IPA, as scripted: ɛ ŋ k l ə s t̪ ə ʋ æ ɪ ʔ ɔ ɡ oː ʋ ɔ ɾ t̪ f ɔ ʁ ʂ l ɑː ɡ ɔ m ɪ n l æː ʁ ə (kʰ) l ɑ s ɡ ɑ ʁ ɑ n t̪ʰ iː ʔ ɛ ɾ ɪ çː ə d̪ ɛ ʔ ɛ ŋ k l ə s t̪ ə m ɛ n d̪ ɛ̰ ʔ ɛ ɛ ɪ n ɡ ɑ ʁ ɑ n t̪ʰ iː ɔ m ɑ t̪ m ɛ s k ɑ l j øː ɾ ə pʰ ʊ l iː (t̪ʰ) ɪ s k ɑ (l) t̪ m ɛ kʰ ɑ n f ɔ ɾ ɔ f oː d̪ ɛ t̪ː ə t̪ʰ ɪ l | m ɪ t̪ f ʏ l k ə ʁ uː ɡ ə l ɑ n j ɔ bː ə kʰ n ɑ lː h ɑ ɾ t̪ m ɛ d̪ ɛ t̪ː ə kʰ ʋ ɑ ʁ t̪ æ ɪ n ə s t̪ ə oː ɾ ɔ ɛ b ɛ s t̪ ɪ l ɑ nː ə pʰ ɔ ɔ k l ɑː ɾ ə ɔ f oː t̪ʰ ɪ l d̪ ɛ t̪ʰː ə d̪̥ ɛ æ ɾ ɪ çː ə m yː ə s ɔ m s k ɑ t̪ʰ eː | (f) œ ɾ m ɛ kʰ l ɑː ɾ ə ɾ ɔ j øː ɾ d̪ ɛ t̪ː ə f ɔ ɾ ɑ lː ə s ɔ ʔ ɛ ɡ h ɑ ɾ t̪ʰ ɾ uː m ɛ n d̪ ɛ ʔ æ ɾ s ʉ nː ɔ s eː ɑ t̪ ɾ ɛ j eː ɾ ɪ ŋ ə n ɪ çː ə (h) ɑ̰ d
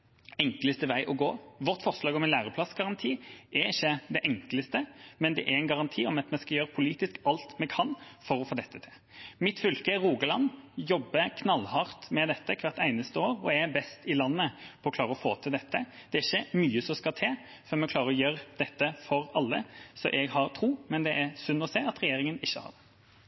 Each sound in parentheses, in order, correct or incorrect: incorrect, incorrect, correct, correct, correct

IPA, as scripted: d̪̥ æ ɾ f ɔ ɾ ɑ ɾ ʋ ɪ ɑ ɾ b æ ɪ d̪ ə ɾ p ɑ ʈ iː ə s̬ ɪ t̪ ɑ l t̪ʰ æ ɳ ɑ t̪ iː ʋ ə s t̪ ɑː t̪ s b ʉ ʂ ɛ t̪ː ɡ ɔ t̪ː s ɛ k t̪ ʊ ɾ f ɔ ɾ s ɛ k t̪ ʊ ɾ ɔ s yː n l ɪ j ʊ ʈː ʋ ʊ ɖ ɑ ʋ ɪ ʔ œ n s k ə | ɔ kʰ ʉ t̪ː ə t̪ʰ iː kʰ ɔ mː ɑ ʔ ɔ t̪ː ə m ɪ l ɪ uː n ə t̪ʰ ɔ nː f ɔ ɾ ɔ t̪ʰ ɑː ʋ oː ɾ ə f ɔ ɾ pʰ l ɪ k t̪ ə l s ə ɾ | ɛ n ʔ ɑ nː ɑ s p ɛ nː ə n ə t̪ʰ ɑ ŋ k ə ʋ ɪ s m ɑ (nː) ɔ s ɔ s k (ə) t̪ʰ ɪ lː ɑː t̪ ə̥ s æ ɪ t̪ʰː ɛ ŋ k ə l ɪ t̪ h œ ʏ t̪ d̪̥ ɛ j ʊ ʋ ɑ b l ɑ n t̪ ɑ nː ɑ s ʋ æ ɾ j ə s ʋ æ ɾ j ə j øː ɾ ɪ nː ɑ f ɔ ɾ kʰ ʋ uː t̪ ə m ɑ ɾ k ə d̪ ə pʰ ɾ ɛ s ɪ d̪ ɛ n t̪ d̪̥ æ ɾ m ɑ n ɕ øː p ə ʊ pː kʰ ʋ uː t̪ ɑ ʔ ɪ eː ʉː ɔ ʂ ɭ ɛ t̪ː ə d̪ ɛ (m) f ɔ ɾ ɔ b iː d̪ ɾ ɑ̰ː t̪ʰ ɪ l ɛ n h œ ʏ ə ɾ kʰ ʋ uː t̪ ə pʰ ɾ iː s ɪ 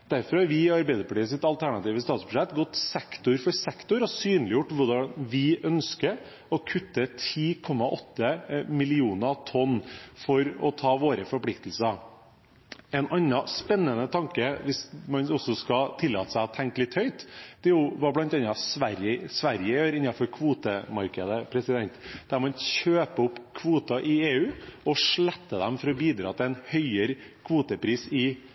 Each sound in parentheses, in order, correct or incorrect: incorrect, incorrect, correct

